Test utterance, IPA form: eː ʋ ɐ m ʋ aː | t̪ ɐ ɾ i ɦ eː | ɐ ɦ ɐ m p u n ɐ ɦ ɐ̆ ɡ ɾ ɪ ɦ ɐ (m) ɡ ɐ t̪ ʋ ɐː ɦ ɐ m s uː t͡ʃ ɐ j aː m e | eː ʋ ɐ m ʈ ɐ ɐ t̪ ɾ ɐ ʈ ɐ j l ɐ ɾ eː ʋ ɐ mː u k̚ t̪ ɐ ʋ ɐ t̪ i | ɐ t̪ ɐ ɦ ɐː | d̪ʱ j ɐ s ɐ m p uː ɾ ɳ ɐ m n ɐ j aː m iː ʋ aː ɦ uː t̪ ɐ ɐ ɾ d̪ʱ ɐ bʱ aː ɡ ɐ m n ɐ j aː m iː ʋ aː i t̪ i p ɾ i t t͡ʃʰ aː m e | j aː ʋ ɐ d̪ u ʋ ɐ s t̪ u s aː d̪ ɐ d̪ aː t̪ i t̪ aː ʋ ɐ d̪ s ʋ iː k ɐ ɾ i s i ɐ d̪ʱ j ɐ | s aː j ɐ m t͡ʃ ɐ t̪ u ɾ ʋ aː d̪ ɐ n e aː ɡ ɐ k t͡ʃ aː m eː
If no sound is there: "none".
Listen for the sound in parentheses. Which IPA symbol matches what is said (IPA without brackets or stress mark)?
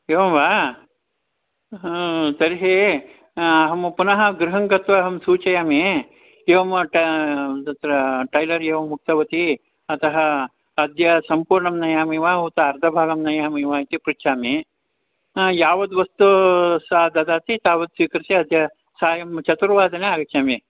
ŋ